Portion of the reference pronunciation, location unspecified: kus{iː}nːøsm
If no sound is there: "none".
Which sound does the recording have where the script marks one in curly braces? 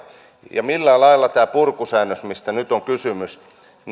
æː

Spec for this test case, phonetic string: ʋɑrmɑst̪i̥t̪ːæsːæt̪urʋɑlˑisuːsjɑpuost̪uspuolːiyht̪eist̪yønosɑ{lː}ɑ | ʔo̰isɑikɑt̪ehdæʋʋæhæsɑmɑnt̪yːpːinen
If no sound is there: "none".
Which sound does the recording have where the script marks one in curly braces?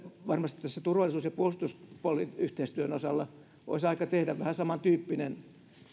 lː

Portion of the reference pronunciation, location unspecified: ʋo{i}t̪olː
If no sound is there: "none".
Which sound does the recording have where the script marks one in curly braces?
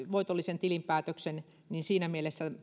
i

